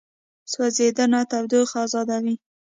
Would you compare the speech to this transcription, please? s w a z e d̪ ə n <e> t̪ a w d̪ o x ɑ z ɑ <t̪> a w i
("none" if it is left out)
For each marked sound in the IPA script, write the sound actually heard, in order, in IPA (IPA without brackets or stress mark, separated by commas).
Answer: a, d̪